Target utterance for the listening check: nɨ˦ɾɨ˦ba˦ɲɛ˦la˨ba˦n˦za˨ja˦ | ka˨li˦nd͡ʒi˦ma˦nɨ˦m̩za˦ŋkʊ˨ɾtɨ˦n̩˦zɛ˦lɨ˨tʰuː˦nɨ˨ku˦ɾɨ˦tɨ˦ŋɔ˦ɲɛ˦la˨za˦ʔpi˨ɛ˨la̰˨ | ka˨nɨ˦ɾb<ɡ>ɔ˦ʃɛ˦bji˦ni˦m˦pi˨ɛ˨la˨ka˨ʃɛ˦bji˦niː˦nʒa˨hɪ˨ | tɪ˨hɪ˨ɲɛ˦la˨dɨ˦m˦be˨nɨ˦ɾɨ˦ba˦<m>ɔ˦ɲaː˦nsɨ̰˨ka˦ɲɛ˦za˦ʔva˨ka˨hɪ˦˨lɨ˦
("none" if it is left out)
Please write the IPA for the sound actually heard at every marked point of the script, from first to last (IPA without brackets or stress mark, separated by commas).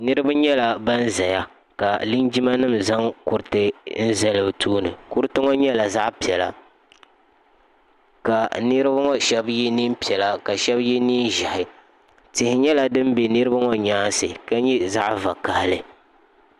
ŋ, ŋ